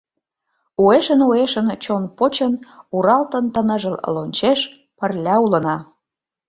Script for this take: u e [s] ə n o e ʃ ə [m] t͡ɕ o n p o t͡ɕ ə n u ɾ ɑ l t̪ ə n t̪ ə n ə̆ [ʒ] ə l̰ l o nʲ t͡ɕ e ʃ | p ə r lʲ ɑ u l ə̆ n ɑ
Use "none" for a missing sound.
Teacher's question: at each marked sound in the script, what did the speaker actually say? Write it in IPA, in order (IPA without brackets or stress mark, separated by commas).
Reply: ʃ, n, ʒ